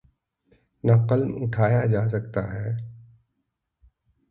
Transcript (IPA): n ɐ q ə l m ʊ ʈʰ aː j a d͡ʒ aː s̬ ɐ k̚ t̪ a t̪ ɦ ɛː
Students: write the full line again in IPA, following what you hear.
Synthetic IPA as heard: n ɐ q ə l m ʊ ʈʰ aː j a d͡ʒ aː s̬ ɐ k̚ t̪ a ɦ ɛː